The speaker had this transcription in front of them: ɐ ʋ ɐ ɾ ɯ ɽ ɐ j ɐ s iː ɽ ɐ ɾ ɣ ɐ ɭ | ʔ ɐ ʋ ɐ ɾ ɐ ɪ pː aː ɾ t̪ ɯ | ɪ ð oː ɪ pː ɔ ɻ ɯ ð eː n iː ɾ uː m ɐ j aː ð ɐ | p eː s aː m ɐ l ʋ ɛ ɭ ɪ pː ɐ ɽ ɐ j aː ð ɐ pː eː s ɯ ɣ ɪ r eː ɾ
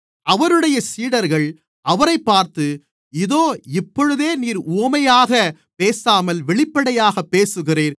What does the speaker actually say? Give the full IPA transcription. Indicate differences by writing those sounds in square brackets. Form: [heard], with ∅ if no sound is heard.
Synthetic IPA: ɐ ʋ ɐ ɾ ɯ ɽ ɐ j ɐ s iː ɽ ɐ ɾ ɣ ɐ ɭ | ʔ ɐ ʋ ɐ ɾ ɐ ɪ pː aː ɾ t̪ ɯ | ɪ ð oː ɪ pː ɔ ɻ ɯ ð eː n iː ɾ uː m ɐ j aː [ɣ] ɐ | p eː s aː m ɐ l ʋ ɛ ɭ ɪ pː ɐ ɽ ɐ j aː [ɣ] ɐ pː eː s ɯ ɣ ɪ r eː ɾ